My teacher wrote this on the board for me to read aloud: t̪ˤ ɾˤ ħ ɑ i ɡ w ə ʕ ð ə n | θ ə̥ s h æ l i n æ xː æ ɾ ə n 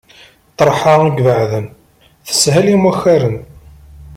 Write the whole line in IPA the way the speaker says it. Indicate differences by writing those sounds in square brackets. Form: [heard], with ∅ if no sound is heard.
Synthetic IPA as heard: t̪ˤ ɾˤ ħ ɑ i ɡ [v] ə ʕ ð ə n | θ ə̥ s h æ l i [m] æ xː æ ɾ ə n